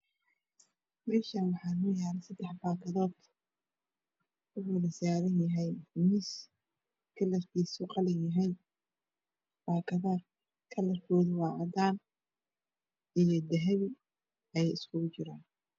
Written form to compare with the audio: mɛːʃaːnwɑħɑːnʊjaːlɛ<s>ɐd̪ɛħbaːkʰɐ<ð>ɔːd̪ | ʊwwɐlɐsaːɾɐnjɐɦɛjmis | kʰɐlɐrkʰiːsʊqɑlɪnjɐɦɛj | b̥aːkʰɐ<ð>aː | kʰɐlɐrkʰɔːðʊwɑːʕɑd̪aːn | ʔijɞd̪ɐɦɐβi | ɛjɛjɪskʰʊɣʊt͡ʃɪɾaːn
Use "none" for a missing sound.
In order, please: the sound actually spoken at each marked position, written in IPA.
s, ð, ð

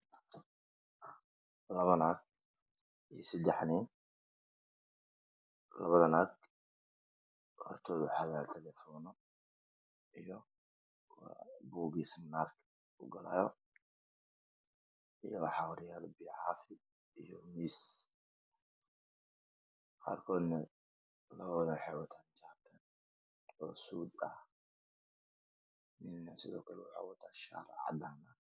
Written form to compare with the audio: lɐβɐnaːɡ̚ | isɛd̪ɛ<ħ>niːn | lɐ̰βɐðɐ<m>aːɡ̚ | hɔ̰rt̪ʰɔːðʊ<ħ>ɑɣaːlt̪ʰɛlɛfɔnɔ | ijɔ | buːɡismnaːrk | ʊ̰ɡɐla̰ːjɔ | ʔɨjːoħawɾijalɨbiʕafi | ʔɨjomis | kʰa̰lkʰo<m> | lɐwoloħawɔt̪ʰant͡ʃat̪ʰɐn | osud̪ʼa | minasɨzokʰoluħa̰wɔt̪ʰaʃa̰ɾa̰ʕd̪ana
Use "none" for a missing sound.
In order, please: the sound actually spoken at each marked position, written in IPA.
ħ, n, ħ, n

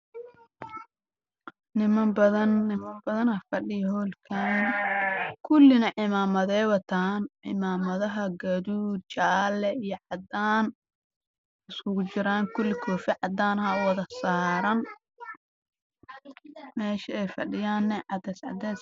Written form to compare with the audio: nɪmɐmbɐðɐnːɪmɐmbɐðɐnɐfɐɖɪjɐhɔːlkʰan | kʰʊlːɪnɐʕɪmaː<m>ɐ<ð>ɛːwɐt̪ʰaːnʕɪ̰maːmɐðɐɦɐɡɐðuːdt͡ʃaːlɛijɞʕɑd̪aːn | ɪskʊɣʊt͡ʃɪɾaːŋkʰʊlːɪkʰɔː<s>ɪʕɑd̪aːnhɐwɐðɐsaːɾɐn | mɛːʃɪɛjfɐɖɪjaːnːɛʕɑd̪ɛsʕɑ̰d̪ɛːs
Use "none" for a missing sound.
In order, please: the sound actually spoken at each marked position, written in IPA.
m, ð, f

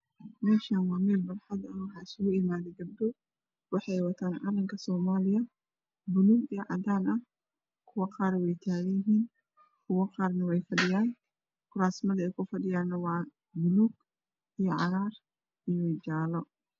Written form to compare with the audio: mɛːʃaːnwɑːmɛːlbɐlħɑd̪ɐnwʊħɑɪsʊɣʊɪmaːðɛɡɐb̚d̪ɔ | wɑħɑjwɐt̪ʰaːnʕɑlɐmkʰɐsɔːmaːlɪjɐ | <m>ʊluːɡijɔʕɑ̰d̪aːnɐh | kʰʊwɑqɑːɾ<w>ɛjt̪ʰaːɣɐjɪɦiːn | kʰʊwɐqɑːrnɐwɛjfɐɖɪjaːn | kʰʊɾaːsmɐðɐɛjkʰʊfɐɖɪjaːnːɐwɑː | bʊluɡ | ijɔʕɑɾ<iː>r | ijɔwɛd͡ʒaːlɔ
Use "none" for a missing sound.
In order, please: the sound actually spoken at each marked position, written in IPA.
b, w, aː

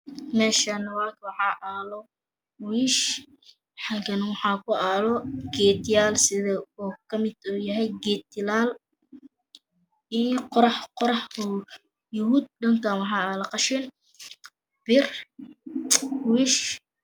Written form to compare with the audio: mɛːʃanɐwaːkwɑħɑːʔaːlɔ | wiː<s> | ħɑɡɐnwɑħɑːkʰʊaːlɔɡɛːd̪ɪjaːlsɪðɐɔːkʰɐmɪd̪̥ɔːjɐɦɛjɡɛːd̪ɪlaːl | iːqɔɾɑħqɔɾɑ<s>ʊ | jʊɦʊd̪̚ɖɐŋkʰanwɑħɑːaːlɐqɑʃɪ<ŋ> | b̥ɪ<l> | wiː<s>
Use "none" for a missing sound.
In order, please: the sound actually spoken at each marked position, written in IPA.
ʃ, ħ, n, r, ʃ

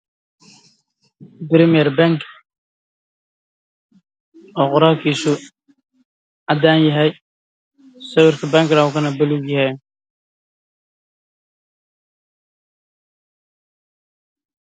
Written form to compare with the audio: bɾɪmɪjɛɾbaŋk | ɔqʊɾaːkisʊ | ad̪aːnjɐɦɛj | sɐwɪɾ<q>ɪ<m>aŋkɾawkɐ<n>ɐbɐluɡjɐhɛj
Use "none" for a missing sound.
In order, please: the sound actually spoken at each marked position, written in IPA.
k, b, n

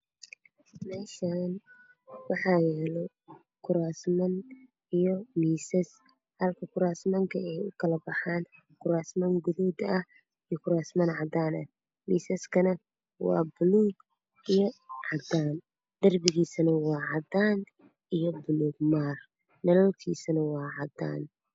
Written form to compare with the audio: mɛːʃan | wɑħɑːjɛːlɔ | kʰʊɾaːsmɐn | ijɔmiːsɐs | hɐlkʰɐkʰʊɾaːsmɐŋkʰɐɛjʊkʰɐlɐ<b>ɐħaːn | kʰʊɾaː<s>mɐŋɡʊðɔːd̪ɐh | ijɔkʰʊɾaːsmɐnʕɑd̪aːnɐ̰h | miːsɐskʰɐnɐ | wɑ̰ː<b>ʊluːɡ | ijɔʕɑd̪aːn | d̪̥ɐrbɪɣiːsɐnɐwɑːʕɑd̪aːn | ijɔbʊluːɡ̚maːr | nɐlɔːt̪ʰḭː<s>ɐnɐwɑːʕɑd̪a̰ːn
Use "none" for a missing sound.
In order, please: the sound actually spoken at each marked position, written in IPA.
b, s, b, s

